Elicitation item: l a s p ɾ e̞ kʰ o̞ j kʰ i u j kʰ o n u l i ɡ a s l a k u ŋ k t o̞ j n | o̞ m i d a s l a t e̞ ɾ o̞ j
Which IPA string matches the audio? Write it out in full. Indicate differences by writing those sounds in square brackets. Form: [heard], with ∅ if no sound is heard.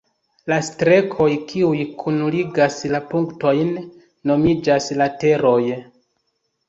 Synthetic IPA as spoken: l a s [t] ɾ e̞ kʰ o̞ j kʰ i u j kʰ [u] n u l i ɡ a s l a [p] u ŋ k t o̞ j [nː] | o̞ m i [d͡ʒ] a s l a t e̞ ɾ o̞ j